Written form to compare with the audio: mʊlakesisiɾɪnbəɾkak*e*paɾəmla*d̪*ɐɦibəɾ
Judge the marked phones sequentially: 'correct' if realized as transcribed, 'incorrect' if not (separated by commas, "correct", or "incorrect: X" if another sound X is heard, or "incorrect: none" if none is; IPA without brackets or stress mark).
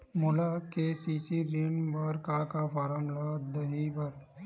incorrect: a, correct